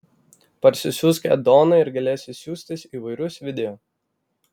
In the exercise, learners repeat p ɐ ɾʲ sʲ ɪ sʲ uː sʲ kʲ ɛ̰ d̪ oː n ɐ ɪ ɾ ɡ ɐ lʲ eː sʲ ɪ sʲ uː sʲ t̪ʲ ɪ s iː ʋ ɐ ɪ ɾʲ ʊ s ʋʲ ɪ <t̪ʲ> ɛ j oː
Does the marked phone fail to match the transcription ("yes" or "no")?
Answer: yes